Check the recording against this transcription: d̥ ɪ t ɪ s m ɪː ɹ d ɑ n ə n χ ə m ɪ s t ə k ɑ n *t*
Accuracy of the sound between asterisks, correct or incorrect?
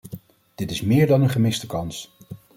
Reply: incorrect: s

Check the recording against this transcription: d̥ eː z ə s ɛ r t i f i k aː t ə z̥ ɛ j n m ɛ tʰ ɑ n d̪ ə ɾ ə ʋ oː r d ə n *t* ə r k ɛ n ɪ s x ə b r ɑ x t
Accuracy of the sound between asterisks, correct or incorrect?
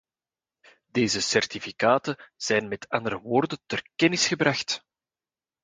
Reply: correct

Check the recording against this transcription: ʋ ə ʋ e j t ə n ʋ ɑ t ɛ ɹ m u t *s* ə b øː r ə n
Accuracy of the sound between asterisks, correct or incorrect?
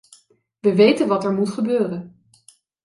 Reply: incorrect: χ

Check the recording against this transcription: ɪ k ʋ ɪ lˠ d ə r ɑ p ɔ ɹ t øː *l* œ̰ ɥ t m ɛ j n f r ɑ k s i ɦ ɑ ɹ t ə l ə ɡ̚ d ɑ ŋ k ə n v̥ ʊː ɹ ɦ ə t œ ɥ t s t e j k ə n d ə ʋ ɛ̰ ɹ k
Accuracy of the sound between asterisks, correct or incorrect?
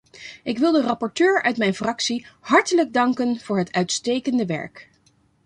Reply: incorrect: ɹ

